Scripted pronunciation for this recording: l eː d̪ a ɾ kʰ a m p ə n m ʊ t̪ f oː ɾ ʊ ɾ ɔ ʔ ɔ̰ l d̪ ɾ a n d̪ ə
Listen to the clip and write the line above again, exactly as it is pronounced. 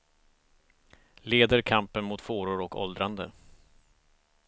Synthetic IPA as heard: l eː d̪ ə ɾ kʰ a m p ə n m ʊ t̪ f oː ɾ ʊ ɾ ɔ k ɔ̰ l d̪ ɾ a n d̪ ə